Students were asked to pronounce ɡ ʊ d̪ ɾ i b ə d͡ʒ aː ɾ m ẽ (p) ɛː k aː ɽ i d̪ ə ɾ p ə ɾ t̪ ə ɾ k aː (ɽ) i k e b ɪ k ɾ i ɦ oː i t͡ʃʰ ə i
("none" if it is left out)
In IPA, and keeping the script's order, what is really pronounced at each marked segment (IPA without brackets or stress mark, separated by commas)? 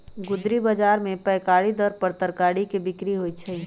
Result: p, ɽ